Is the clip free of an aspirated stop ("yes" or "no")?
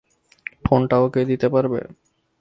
yes